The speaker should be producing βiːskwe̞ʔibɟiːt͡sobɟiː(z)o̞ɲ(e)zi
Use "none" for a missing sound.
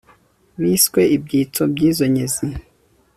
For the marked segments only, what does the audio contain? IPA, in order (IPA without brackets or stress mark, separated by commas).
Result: z, e